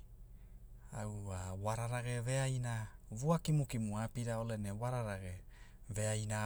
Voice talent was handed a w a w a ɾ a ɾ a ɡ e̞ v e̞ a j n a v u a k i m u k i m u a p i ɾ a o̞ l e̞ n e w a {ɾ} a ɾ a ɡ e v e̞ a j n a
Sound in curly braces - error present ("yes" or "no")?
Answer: no